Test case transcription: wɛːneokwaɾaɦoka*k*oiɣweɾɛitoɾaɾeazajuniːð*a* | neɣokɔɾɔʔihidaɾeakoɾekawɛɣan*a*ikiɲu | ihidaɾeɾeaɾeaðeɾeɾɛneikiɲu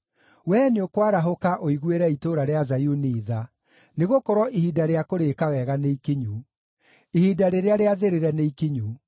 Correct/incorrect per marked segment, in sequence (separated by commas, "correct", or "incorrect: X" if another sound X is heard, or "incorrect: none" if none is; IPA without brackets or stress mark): incorrect: ʔ, correct, incorrect: e